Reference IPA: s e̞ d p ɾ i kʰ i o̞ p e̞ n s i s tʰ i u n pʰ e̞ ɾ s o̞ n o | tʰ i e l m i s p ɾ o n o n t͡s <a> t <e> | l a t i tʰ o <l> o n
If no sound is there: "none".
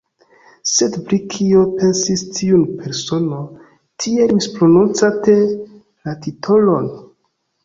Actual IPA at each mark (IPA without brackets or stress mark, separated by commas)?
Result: a, e, l